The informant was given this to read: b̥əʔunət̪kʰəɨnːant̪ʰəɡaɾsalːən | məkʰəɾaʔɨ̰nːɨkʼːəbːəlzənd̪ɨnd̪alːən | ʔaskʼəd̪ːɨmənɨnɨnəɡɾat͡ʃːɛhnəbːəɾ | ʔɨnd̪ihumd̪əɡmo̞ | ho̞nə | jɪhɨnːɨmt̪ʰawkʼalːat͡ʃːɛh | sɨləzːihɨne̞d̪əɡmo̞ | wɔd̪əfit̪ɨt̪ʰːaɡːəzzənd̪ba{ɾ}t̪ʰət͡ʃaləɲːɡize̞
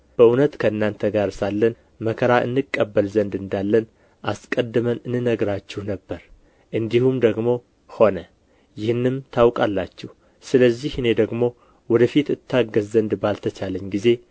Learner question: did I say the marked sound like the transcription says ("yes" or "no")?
no